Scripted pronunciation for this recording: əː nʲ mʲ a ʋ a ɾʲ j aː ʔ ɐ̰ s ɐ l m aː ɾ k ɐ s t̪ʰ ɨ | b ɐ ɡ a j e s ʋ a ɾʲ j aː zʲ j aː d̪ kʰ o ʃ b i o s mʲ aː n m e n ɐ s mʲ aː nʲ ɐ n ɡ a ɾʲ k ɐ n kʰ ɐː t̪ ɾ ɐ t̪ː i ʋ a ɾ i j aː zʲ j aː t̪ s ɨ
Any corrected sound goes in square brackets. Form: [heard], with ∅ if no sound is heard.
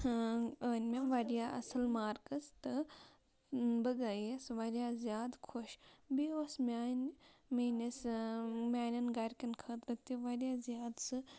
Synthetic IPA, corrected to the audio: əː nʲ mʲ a ʋ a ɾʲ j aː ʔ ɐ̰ s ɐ l m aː ɾ k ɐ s [t̪] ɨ | b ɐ ɡ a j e s ʋ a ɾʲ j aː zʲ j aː d̪ kʰ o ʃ b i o s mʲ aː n m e n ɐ s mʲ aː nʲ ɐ n ɡ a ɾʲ k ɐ n kʰ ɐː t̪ ɾ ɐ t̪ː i ʋ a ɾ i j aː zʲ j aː [d̪] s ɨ